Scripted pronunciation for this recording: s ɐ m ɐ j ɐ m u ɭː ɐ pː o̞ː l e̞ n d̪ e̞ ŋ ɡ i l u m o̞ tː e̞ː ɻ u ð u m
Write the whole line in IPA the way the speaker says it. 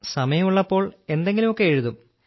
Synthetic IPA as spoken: s ɐ m ɐ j ɐ m u ɭː ɐ pː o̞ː ɭ e̞ n d̪ e̞ ŋ ɡ i l u m o̞ kː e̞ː ɻ u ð u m